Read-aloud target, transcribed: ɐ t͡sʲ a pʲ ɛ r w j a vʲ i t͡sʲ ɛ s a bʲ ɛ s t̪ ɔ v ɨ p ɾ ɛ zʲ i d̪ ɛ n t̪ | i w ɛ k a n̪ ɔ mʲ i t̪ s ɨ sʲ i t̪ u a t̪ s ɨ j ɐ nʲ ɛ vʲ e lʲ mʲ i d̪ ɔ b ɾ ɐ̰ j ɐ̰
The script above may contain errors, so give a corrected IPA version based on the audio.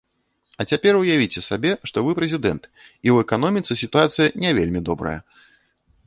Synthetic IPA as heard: ɐ t͡sʲ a pʲ ɛ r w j a vʲ i t͡sʲ ɛ s a bʲ ɛ ʂ t̪ ɔ v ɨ p ɾ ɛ zʲ i d̪ ɛ n t̪ | i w ɛ k a n̪ ɔ mʲ i t̪ s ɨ sʲ i t̪ u a t̪ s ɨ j ɐ nʲ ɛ vʲ e lʲ mʲ i d̪ ɔ b ɾ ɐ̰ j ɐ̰